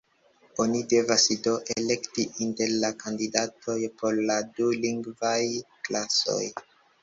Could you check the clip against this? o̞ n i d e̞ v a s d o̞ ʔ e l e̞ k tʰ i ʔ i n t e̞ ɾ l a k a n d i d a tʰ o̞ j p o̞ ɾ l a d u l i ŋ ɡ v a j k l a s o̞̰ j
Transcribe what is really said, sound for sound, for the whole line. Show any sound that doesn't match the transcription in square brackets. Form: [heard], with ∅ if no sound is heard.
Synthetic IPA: o̞ n i d e̞ v a s d o̞ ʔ e l e̞ k [t] i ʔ i n t e̞ ɾ l a k a n d i d a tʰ o̞ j p o̞ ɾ l a d u l i ŋ ɡ v a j k l a s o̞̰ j